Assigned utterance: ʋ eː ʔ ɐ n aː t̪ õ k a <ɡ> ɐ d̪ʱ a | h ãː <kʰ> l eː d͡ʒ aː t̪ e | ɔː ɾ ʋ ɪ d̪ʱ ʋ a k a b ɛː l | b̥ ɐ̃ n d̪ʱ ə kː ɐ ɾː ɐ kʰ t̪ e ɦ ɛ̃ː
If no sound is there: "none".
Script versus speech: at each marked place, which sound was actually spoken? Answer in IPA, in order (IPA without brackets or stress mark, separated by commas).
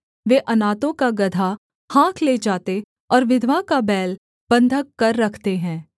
ɡ, kʰ